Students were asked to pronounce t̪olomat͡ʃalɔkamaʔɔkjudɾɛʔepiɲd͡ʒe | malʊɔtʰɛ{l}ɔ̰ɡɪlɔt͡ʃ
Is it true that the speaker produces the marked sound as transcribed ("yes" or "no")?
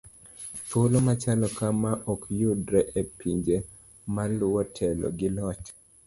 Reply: yes